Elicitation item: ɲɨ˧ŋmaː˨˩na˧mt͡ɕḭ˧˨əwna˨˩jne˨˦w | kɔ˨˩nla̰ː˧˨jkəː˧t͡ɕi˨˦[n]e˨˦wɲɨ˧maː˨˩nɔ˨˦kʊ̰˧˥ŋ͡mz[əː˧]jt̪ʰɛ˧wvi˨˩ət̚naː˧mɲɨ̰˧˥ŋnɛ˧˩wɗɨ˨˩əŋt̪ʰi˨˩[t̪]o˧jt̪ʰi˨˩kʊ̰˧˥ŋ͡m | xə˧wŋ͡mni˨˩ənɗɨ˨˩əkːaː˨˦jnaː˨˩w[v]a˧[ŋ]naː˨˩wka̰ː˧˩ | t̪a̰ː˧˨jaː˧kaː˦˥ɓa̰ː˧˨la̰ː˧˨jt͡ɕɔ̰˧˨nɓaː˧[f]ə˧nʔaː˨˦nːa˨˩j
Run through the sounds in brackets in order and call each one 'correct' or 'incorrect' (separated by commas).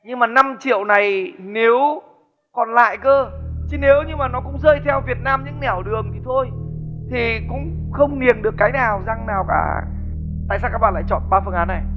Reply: correct, correct, incorrect, incorrect, correct, correct